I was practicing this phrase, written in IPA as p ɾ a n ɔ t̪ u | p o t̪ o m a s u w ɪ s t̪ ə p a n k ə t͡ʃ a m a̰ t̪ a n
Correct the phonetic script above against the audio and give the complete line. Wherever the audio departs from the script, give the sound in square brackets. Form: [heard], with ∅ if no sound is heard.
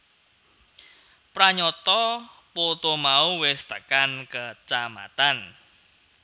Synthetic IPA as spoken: p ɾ a [ɲ] ɔ t̪ [ɔ] | p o t̪ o m a [∅] u w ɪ s t̪ ə [k] a n k ə t͡ʃ a m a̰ t̪ a n